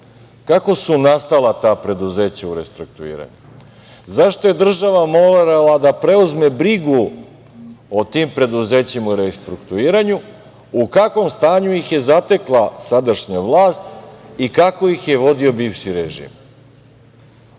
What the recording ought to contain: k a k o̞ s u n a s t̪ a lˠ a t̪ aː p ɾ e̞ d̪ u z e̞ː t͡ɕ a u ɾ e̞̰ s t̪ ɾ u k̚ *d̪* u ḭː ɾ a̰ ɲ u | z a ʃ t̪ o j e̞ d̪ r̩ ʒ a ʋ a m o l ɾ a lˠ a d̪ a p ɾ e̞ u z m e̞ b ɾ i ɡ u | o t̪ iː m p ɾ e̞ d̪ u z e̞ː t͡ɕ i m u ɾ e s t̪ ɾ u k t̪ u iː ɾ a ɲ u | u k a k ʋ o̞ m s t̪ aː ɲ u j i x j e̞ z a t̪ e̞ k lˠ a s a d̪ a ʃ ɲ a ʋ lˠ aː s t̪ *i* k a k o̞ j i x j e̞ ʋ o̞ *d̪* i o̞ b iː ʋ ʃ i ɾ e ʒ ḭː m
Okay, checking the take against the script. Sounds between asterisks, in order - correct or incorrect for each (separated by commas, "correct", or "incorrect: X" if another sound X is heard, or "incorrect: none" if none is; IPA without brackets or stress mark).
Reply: incorrect: t̪, correct, correct